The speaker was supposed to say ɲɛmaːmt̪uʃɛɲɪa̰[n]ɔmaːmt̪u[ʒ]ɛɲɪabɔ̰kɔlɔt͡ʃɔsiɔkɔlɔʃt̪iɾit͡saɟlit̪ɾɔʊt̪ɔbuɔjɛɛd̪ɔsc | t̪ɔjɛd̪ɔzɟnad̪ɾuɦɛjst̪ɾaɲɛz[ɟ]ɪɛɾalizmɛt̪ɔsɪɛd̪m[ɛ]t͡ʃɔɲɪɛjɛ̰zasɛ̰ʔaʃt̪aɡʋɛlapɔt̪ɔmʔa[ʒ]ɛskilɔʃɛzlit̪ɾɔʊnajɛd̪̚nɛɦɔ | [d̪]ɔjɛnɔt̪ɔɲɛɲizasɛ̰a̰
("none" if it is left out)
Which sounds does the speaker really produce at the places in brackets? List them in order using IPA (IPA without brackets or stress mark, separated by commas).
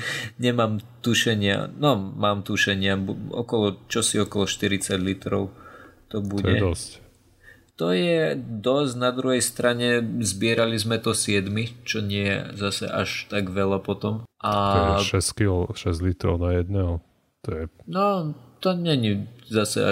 n, ʃ, b, i, ʃ, t̪